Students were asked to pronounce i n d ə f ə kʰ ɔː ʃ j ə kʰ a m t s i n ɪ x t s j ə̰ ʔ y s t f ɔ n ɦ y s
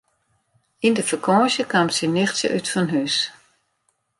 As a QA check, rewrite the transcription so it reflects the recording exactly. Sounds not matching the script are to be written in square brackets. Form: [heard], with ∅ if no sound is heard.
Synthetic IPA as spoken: i n d ə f ə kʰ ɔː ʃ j ə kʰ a m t s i n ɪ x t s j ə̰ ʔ y [∅] t f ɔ n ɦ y s